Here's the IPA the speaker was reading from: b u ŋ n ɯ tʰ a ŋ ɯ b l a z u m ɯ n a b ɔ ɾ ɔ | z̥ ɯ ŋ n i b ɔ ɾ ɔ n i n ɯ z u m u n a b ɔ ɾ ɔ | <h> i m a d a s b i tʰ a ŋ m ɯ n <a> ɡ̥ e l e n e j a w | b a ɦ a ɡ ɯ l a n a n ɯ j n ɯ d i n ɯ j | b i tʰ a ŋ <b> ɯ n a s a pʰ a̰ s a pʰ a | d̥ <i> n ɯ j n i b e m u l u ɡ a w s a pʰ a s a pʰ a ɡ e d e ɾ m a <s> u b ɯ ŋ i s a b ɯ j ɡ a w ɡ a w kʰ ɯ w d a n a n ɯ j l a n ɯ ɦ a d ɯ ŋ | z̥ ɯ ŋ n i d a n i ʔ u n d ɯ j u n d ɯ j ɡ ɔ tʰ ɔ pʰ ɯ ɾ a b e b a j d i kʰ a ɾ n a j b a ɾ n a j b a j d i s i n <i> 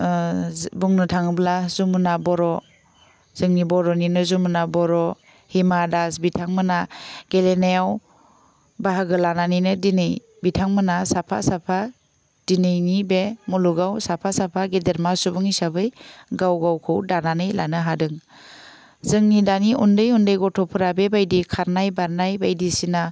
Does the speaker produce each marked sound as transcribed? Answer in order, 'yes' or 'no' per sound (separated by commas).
yes, yes, no, yes, yes, no